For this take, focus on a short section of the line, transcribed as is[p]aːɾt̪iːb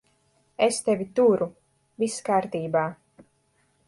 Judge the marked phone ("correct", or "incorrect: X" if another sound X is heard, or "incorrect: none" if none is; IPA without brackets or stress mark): incorrect: k